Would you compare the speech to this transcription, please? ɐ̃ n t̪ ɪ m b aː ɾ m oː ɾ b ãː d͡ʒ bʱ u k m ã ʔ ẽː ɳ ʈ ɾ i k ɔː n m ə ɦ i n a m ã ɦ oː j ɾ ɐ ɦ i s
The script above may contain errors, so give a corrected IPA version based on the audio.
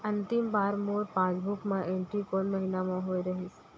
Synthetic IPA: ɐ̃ n t̪ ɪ m b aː ɾ m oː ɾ p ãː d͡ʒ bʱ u k m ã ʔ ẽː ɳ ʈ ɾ i k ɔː n m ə ɦ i n a m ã ɦ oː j ɾ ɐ ɦ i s